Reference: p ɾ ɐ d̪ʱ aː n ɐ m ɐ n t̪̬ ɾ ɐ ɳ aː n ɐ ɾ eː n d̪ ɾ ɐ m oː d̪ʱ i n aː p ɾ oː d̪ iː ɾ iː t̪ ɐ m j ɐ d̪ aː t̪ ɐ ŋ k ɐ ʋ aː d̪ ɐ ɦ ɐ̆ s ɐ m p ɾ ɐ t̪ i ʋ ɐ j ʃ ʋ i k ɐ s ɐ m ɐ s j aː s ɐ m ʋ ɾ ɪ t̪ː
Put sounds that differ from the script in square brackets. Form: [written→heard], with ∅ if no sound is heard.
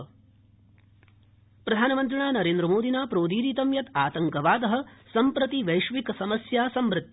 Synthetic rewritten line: p ɾ ɐ d̪ʱ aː n ɐ m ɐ n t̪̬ ɾ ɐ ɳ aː n ɐ ɾ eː n d̪ ɾ ɐ m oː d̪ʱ i n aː p ɾ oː d̪ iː ɾ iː t̪ ɐ m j ɐ [d̪→t̪] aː t̪ ɐ ŋ k ɐ ʋ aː d̪ ɐ ɦ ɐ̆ s ɐ m p ɾ ɐ t̪ i ʋ ɐ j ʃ ʋ i k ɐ s ɐ m ɐ s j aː s ɐ m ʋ ɾ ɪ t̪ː